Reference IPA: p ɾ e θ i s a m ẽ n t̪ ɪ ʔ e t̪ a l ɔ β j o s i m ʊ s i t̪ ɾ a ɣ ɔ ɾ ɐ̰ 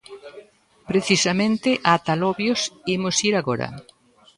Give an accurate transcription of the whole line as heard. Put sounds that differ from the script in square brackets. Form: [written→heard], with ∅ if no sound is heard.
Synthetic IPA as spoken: p ɾ e θ i s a m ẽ n t̪ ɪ ʔ [e→a] t̪ a l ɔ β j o s i m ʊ s i [t̪→∅] ɾ a ɣ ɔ ɾ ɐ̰